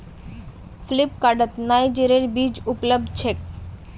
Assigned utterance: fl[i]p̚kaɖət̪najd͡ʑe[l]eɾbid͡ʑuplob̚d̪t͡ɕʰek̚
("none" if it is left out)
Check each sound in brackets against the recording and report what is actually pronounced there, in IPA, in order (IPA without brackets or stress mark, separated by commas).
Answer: i, ɾ